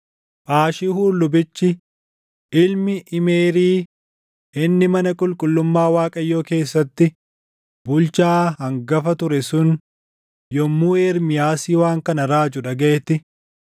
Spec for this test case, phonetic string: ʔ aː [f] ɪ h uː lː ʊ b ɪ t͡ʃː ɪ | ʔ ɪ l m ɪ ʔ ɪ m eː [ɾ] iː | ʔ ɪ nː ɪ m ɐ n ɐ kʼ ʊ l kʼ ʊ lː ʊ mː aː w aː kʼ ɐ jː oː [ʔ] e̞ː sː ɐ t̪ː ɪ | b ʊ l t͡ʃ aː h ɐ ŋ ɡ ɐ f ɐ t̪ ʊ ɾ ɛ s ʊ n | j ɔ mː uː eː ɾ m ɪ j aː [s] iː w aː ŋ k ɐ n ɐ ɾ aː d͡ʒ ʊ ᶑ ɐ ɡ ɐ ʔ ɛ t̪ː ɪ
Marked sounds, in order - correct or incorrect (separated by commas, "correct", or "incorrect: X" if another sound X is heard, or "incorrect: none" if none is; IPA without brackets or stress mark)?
incorrect: ʃ, correct, incorrect: k, correct